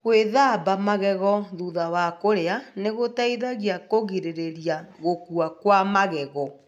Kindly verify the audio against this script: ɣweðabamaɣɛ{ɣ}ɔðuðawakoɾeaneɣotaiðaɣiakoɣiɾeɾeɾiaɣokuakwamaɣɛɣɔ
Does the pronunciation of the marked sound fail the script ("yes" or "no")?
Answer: no